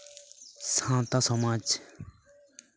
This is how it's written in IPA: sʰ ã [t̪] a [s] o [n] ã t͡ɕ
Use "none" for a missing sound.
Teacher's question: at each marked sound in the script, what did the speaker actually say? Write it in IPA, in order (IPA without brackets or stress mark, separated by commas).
t̪, s, m